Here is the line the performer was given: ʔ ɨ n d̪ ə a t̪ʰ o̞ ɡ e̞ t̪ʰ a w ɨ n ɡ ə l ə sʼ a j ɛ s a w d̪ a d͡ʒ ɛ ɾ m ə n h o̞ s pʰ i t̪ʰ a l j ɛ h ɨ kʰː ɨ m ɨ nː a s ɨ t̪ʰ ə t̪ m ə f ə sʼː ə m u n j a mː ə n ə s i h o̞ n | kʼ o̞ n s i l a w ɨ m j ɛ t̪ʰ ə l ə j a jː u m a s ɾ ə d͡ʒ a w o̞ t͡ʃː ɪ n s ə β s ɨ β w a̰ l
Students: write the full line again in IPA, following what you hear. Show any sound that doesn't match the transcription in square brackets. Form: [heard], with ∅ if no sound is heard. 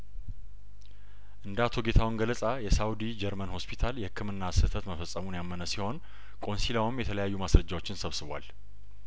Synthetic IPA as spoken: ʔ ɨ n d̪ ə a t̪ʰ o̞ ɡ e̞ t̪ʰ a w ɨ n ɡ ə l ə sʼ a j ɛ s a w d̪ [i] d͡ʒ ɛ ɾ m ə n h o̞ s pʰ i t̪ʰ a l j ɛ h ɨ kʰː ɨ m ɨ nː a s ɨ t̪ʰ ə t̪ m ə f ə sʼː ə m u n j a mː ə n ə s i h o̞ n | kʼ o̞ n s i l a w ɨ m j ɛ t̪ʰ ə l ə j a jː u m a s ɾ ə d͡ʒ a w o̞ t͡ʃː ɪ n s ə β s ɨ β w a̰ l